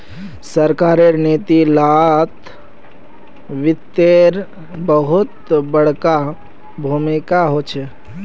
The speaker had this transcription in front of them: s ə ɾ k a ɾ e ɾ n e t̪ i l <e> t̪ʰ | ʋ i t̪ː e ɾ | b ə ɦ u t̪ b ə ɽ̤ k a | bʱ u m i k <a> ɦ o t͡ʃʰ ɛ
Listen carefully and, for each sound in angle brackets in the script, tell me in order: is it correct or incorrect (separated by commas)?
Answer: incorrect, correct